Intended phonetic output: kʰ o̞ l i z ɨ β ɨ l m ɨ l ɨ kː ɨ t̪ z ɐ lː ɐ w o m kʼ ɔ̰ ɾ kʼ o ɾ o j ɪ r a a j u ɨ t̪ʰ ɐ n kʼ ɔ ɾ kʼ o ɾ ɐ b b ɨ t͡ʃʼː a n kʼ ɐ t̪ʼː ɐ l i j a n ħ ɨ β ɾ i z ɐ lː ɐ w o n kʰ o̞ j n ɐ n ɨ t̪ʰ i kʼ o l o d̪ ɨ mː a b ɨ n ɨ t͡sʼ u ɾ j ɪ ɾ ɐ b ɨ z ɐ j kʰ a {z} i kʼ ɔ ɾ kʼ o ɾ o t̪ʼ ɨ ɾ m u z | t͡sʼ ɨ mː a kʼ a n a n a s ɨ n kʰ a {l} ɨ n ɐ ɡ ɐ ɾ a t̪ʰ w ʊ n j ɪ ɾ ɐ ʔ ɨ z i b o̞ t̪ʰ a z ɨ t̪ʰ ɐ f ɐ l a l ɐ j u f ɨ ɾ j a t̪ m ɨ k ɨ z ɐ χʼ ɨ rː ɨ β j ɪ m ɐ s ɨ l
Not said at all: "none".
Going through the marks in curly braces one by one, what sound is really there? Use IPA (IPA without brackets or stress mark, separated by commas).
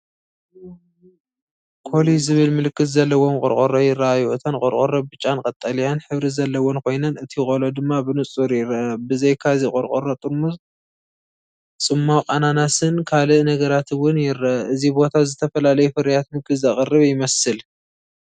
z, l